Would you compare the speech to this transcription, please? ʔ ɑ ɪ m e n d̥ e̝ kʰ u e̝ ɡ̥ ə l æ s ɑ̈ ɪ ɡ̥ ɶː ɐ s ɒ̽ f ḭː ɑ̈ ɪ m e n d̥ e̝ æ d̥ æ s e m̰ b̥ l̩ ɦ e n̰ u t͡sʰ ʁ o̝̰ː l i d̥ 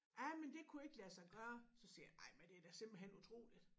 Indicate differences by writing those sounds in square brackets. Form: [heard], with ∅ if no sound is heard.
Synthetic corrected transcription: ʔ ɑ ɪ m e n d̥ e̝ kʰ u e̝ ɡ̥ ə l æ s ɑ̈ ɪ ɡ̥ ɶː ɐ s ɒ̽ [s] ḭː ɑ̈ ɪ m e n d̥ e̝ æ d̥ æ s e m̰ b̥ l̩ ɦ e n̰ u t͡sʰ ʁ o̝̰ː l i d̥